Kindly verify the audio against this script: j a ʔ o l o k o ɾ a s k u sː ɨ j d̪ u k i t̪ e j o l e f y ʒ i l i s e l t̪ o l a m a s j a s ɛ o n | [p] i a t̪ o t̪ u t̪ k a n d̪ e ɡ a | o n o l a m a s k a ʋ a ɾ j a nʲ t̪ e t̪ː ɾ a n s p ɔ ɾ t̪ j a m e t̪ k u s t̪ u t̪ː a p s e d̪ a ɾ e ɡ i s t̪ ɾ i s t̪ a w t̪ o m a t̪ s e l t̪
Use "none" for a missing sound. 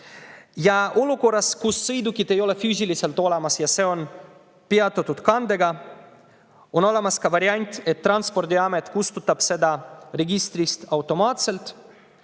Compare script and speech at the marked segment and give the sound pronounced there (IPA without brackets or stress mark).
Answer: p